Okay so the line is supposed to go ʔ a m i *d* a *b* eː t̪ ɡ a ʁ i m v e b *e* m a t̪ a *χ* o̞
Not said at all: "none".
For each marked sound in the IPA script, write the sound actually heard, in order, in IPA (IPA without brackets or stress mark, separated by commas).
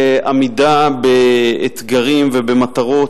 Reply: d, b, e, ʁ